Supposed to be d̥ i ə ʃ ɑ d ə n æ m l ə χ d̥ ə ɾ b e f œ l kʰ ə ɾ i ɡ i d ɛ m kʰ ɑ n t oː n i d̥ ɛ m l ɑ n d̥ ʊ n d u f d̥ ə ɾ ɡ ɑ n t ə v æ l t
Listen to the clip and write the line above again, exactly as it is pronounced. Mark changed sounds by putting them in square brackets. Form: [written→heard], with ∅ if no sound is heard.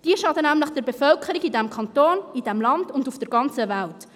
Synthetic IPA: d̥ i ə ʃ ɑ d ə n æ m l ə χ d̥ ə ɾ b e f œ l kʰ ə ɾ i ɡ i d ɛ m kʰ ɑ n t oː n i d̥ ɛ m l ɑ n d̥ ʊ n d u f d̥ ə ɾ ɡ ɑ n [t→t͡s] ə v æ l t